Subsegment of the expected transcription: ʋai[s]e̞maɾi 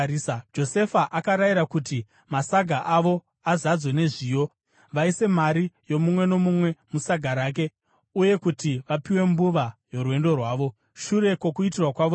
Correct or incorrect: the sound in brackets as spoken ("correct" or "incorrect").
correct